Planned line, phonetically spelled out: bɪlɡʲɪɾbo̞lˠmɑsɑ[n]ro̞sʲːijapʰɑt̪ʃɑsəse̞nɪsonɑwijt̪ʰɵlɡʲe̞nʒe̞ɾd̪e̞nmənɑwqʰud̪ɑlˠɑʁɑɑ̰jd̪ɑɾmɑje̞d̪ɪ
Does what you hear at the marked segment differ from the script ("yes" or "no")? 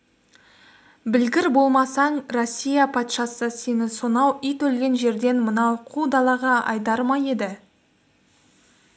yes